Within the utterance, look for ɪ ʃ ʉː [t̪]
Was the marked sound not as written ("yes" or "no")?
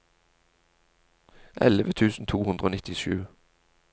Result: yes